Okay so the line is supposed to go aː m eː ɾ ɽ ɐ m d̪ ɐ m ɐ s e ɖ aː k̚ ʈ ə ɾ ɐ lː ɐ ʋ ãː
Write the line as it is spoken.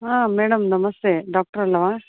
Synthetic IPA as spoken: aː m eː ɽ ɐ m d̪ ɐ m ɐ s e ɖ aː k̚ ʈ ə ɾ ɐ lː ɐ ʋ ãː